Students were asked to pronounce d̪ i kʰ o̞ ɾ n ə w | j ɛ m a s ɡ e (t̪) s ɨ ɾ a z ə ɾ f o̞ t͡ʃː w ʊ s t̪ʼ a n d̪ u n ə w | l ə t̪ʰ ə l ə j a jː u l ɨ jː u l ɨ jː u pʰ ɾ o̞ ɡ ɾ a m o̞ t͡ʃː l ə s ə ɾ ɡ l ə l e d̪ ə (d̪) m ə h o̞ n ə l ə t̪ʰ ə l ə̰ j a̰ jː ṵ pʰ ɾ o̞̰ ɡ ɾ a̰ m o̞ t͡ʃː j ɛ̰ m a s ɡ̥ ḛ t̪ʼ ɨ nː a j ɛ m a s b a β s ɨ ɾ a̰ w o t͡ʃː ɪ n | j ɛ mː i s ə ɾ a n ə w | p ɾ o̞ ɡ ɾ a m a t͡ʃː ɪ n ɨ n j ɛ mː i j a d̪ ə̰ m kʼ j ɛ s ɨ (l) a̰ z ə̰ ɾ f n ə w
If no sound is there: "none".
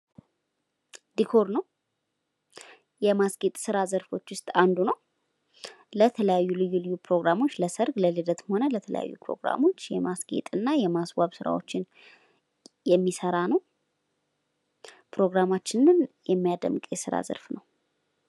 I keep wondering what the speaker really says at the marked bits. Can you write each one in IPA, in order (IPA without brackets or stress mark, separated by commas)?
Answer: t̪ʼ, t̪, ɾ